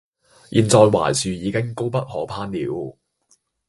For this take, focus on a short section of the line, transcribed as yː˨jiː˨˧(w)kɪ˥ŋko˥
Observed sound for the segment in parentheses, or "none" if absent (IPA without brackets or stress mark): none